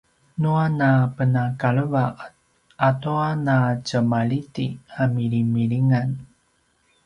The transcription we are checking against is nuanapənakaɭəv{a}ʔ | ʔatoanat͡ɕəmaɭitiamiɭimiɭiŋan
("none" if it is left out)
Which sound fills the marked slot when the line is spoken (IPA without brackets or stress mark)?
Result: a